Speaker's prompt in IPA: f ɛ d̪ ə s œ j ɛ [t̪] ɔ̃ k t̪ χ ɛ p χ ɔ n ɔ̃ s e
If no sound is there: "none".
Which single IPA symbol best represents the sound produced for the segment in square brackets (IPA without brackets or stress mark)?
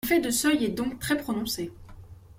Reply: d̪